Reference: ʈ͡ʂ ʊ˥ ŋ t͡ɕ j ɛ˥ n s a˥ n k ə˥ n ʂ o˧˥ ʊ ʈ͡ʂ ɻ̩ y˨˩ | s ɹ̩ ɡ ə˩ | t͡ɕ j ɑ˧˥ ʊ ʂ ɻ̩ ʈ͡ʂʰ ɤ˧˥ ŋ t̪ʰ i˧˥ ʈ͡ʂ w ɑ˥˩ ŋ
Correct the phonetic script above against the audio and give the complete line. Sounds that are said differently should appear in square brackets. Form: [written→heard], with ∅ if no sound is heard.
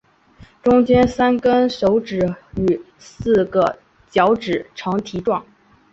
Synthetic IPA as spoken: ʈ͡ʂ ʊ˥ ŋ t͡ɕ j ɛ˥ n s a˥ n k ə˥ n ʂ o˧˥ ʊ ʈ͡ʂ ɻ̩ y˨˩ | s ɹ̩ ɡ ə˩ | t͡ɕ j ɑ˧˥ ʊ [ʂ→ʈ͡ʂ] ɻ̩ ʈ͡ʂʰ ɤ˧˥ ŋ t̪ʰ i˧˥ ʈ͡ʂ w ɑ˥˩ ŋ